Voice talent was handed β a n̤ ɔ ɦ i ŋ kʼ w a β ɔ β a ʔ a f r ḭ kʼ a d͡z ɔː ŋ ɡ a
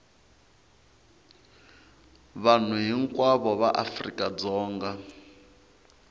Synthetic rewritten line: β a n̤ u ɦ i ŋ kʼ w a β ɔ β a ʔ a f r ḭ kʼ a d͡z ɔː ŋ ɡ a